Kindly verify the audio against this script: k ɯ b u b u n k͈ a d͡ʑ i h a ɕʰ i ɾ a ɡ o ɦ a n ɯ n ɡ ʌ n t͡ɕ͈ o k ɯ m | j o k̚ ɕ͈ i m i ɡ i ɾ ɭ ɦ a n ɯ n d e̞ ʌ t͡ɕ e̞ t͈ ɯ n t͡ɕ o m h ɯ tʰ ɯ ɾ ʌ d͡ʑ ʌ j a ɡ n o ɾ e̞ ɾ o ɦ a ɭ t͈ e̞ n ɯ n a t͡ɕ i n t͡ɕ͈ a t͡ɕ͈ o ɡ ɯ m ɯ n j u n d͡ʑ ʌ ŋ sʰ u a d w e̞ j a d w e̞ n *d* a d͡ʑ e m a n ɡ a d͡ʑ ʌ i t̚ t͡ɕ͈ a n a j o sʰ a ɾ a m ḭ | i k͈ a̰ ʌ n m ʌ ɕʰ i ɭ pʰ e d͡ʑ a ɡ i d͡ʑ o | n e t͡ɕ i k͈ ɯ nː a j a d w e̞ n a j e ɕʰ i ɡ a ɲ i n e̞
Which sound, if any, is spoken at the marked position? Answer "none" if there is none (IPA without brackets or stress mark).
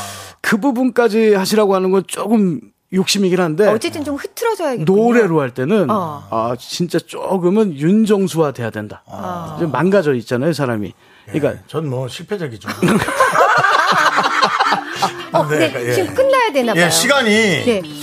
d